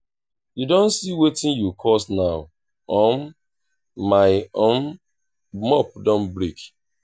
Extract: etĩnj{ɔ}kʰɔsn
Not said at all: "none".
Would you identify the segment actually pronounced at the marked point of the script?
u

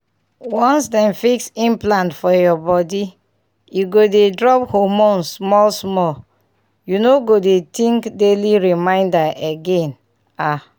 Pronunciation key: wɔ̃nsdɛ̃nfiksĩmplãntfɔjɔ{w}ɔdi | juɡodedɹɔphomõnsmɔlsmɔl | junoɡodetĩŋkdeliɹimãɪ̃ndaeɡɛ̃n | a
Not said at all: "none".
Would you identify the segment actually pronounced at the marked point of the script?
b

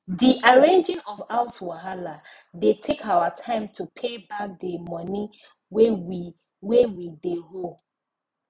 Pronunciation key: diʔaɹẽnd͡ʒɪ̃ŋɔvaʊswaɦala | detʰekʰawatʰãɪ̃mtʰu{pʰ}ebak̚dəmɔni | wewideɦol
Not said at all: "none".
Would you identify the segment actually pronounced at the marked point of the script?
pʰ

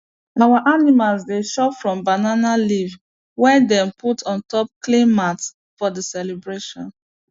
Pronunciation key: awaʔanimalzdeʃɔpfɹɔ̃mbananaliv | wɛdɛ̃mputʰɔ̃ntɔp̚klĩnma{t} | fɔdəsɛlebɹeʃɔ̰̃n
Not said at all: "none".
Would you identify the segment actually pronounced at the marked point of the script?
t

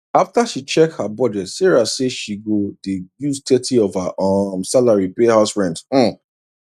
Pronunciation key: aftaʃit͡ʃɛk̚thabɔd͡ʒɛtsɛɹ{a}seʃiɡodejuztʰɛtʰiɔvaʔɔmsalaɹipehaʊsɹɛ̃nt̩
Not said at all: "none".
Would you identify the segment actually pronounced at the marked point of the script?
a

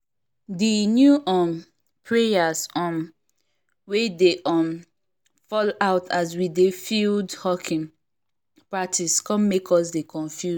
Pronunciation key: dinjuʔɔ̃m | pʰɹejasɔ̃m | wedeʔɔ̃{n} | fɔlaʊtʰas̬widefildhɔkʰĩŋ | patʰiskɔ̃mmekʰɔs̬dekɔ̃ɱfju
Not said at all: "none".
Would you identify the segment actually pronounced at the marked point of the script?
m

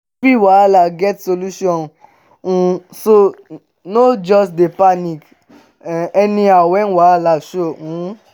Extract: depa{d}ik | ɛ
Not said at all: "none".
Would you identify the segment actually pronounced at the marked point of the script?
n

